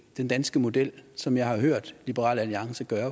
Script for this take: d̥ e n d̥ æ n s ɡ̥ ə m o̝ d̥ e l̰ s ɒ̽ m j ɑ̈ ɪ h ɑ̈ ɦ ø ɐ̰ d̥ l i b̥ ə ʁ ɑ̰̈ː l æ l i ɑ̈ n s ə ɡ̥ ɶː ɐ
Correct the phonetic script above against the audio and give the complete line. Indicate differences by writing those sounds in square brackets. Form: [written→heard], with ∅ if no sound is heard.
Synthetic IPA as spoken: d̥ e n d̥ æ n s ɡ̥ ə m o̝ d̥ e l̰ s ɒ̽ m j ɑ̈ ɪ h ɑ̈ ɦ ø ɐ̰ d̥ l i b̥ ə ʁ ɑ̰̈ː l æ l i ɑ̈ [n→ŋ] s ə ɡ̥ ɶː ɐ